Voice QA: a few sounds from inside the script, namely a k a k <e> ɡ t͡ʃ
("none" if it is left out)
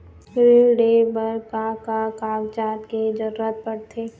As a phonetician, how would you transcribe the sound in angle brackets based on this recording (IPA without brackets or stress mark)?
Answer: a